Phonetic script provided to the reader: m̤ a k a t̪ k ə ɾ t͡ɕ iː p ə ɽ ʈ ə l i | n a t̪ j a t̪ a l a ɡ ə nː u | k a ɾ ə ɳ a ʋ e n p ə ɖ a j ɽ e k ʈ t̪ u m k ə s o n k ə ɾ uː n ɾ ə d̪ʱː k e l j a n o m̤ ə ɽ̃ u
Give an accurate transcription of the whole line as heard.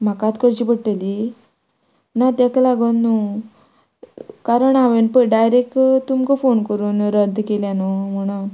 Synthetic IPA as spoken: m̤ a k a t̪ k ə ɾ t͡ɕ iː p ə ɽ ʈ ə l i | n a t̪ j a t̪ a l a ɡ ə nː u | k a ɾ ə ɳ a ʋ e n p ə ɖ a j ɾ e k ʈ t̪ u m k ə f o n k ə ɾ uː n ɾ ə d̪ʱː k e l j a n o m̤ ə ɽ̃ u

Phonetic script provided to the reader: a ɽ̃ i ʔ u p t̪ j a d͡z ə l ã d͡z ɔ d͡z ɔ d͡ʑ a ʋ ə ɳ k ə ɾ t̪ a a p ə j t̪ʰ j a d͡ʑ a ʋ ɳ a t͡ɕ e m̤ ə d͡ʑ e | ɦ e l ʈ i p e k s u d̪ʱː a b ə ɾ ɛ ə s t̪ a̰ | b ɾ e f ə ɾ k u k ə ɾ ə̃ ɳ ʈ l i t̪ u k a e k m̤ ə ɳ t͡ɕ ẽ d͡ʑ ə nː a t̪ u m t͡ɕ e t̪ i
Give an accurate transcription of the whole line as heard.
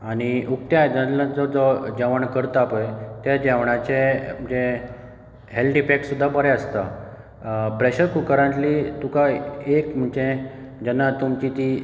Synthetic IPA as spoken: a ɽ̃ i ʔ u k t̪ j a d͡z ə l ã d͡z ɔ d͡z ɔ d͡ʑ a ʋ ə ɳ k ə ɾ t̪ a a p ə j t̪ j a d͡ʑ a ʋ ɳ a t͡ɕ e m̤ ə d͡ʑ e | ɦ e l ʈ i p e k s u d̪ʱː a b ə ɾ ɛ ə s t̪ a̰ | p ɾ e ɕ ə ɾ k u k ə ɾ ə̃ ɳ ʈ l i t̪ u k a e k m̤ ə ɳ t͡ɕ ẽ d͡ʑ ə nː a t̪ u m t͡ɕ i t̪ i

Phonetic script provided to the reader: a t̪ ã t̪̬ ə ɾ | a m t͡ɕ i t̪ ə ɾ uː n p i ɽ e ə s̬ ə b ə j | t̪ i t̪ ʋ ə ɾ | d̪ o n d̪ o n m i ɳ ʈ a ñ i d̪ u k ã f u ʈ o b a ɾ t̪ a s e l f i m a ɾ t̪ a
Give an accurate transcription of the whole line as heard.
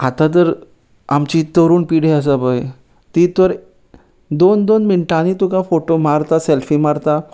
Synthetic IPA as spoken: a t̪ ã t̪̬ ə ɾ | a m t͡ɕ i t̪ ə ɾ uː n p i ɽ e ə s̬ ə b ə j | t̪ i t̪ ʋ ə ɾ | d̪ o n d̪ o n m i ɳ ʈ a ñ i t̪ u k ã f o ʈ o m a ɾ t̪ a s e l f i m a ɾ t̪ a

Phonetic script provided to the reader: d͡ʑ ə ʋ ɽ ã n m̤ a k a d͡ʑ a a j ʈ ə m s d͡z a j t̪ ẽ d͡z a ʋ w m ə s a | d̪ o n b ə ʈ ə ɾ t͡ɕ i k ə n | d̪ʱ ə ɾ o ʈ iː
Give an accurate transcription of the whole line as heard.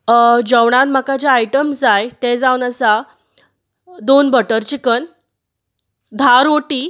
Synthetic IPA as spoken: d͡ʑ ə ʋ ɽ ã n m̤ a k a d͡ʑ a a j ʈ ə m s d͡z a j t̪ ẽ d͡z a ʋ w n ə s a | d̪ o n b ə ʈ ə ɾ t͡ɕ i k ə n | d̪ʱ a ɾ o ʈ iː

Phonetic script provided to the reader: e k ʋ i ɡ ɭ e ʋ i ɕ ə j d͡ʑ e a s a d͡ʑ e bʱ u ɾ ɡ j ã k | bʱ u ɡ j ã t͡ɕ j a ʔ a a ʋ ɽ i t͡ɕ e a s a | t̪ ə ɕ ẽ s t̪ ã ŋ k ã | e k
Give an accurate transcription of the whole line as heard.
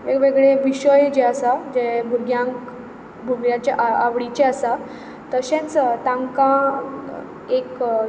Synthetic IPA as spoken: e k ʋ e ɡ ɭ e ʋ i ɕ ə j d͡ʑ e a s a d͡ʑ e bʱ u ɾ ɡ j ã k | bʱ u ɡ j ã t͡ɕ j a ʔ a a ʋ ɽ i t͡ɕ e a s a | t̪ ə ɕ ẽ t͡s t̪ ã ŋ k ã | e k

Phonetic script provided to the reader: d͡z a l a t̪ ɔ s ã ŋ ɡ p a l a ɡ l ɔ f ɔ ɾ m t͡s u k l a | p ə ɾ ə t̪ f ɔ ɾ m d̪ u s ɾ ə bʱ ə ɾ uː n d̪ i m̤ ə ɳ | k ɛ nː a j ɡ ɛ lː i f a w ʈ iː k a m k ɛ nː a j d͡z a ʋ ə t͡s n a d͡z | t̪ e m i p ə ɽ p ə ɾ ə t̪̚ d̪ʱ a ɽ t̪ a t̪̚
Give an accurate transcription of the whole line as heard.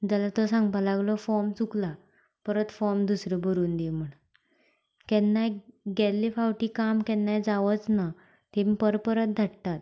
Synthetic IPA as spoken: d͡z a l a t̪ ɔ s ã ŋ ɡ p a l a ɡ l ɔ f ɔ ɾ m t͡s u k l a | p ə ɾ ə t̪ f ɔ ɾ m d̪ u s ɾ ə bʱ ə ɾ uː n d̪ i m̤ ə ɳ | k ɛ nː a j ɡ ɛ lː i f a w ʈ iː k a m k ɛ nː a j d͡z a ʋ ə t͡s n a | t̪ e m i p ə ɾ p ə ɾ ə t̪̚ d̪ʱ a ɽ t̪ a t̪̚

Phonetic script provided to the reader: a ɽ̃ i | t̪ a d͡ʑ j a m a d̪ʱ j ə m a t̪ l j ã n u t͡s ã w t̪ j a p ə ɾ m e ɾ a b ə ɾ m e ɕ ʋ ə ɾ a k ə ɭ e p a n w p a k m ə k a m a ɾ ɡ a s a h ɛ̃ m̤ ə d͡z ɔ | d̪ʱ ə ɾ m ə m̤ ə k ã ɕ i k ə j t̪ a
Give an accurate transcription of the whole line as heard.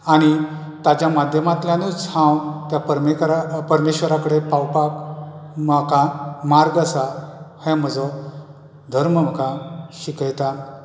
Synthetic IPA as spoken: a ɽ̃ i | t̪ a d͡ʑ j a m a d̪ʱ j ə m a t̪ l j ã n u t͡s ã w t̪ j a p ə ɾ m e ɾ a p ə ɾ m e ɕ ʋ ə ɾ a k ə ɽ e p a w p a k m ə k a m a ɾ ɡ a s a h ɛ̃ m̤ ə d͡z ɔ | d̪ʱ ə ɾ m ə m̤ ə k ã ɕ i k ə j t̪ a

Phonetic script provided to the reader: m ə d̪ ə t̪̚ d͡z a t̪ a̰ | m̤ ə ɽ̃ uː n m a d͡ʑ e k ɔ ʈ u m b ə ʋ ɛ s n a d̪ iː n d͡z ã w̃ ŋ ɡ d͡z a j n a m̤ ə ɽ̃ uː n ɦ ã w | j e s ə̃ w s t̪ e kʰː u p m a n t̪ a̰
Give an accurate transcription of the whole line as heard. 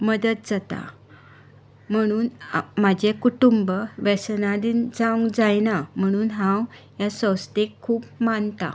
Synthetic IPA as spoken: m ə d̪ ə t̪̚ d͡z a t̪ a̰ | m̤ ə ɽ̃ uː n m a d͡ʑ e k u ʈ u m b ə ʋ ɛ s n a d̪ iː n d͡z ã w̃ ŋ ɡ d͡z a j n a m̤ ə ɽ̃ uː n ɦ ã w | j a s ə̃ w s t̪ e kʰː uː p m a n t̪ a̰

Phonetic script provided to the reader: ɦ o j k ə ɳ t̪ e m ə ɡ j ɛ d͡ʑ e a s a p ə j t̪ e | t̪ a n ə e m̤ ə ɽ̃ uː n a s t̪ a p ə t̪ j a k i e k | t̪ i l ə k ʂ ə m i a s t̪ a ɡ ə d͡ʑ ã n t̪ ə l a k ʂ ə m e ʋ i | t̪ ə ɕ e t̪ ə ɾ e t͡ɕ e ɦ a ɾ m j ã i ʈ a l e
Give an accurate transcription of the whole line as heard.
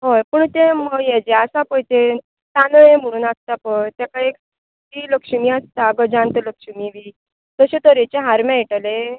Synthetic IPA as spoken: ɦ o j p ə ɳ t̪ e m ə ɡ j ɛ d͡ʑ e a s a p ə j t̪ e | t̪ a n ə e m̤ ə ɽ̃ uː n a s t̪ a p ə t̪ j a k a e k | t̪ i l ə k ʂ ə m i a s t̪ a ɡ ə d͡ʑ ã n t̪ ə l ə k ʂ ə m i ʋ i | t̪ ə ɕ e t̪ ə ɾ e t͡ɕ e ɦ a ɾ m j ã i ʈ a l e

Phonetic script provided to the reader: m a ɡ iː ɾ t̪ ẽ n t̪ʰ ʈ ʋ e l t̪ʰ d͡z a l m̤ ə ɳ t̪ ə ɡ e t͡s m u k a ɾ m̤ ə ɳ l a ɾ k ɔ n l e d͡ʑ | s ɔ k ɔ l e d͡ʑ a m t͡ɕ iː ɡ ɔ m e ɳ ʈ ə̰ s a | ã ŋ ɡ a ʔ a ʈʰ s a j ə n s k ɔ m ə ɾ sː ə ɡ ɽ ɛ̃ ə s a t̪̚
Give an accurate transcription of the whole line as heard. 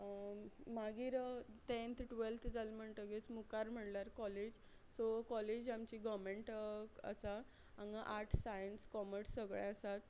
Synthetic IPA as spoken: m a ɡ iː ɾ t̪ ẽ n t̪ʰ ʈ ʋ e l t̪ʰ d͡z a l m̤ ə ɳ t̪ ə ɡ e t͡s m u k a ɾ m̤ ə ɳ l a ɾ k ɔ l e d͡ʑ | s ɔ k ɔ l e d͡ʑ a m t͡ɕ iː ɡ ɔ m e ɳ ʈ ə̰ s a | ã ŋ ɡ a ʔ a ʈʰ s a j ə n s k ɔ m ə ɾ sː ə ɡ ɭ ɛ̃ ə s a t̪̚

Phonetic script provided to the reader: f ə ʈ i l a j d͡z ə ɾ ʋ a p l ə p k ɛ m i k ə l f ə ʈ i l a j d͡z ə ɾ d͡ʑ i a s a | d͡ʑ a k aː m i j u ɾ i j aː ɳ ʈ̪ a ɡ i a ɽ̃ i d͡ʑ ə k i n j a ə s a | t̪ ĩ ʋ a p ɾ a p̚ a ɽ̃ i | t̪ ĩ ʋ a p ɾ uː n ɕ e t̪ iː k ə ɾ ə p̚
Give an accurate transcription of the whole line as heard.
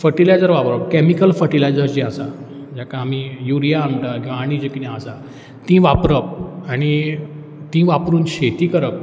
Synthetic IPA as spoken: f ə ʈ i l a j d͡z ə ɾ ʋ a p ɾ ə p k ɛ m i k ə l f ə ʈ i l a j d͡z ə ɾ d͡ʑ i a s a | d͡ʑ a k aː m i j u ɾ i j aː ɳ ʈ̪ a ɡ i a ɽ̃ i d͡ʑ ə k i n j a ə s a | t̪ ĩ ʋ a p ɾ ə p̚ a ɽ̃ i | t̪ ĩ ʋ a p ɾ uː n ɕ e t̪ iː k ə ɾ ə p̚

